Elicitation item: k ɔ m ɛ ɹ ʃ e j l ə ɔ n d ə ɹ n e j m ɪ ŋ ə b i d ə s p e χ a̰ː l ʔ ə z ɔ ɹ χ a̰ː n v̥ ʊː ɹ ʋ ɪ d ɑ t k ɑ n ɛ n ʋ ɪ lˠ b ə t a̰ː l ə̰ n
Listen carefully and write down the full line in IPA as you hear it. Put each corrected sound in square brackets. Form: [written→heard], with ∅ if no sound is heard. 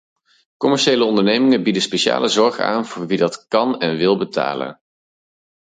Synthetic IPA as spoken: k ɔ m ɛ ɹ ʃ e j l ə ɔ n d ə ɹ n e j m ɪ ŋ ə b i d ə s p e [χ→ʃ] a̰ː l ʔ ə z ɔ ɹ χ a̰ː n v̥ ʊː ɹ ʋ [ɪ→i] d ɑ t k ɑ n ɛ n ʋ ɪ lˠ b ə t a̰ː l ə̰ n